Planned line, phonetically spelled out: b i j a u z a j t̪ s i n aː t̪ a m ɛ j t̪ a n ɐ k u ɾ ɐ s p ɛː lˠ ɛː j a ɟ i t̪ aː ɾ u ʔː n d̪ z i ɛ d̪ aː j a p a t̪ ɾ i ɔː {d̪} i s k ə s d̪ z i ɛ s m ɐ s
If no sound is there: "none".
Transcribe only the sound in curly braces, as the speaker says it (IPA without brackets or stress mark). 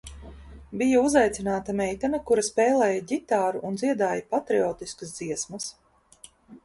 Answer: t̪